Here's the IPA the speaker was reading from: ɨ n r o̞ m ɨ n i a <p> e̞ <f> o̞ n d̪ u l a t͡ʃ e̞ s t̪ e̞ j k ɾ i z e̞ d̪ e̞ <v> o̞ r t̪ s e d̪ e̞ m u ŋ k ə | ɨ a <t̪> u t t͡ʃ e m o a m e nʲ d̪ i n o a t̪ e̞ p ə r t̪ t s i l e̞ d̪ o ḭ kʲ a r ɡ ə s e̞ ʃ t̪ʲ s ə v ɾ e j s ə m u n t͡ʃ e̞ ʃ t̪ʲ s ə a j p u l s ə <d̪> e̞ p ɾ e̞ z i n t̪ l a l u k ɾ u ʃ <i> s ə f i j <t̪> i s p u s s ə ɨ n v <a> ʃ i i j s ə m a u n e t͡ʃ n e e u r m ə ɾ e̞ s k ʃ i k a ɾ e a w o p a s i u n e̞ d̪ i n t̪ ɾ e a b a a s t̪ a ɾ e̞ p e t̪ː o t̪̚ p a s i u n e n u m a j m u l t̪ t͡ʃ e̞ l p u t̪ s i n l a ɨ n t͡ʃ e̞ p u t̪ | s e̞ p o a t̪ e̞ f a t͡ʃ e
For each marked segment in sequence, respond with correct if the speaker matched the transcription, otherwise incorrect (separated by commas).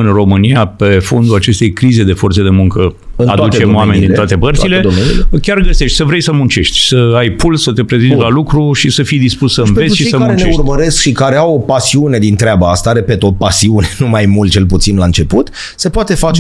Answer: correct, correct, incorrect, incorrect, incorrect, correct, incorrect, incorrect